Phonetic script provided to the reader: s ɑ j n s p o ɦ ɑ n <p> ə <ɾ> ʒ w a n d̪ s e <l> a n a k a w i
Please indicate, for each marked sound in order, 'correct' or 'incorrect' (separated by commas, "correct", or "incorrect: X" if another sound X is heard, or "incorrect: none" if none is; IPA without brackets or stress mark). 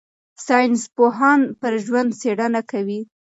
correct, correct, incorrect: ɽ